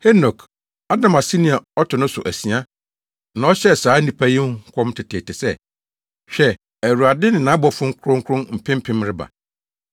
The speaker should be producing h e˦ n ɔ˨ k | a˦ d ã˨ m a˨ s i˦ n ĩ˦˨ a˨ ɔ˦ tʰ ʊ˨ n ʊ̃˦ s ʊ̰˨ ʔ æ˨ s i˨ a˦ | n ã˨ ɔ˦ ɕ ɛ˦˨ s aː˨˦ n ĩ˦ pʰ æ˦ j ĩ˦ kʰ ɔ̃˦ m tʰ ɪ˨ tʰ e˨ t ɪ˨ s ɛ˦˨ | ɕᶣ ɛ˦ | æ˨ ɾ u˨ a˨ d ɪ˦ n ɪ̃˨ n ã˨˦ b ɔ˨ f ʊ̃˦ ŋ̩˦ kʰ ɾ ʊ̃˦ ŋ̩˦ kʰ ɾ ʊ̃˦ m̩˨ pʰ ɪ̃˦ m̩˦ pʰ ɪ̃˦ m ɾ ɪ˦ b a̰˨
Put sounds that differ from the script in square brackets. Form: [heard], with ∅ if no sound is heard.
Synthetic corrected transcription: h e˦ n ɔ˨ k | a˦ d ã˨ m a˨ s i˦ n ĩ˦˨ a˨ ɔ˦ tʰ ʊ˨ n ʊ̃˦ s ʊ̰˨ ʔ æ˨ s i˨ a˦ | n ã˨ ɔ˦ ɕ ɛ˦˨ s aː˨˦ n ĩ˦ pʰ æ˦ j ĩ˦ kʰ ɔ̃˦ m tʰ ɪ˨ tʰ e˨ t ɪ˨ s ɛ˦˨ | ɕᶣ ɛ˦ | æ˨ ɾ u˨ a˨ d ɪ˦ n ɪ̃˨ n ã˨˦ b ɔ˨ f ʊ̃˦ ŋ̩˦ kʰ ɾ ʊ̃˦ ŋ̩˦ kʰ ɾ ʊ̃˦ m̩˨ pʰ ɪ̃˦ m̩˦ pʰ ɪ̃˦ m ɾ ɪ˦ b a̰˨

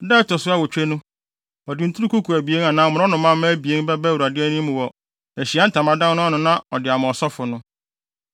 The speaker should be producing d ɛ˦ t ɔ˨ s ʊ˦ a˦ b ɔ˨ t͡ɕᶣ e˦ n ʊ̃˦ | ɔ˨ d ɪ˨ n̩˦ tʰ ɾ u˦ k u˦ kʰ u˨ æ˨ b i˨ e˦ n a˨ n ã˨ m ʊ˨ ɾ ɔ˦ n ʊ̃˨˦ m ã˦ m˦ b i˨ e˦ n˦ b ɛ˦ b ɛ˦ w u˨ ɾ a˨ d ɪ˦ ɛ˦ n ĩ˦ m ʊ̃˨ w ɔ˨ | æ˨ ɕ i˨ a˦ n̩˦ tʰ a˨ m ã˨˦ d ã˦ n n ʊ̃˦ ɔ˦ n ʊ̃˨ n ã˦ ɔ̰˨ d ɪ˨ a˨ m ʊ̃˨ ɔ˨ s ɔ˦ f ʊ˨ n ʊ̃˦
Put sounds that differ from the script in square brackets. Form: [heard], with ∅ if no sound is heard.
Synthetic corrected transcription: d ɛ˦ t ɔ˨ s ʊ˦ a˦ [w] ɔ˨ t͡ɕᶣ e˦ n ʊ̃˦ | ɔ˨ d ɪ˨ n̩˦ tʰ ɾ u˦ k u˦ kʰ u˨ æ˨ b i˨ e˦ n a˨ n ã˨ m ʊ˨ ɾ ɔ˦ n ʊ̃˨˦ m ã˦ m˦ b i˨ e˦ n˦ b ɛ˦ b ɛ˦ w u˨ ɾ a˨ d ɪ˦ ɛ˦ n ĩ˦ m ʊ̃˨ w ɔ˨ | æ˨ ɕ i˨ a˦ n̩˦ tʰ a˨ m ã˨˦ d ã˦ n n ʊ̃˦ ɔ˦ n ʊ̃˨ n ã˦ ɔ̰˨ d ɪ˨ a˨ m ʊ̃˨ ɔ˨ s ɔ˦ f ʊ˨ n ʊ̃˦

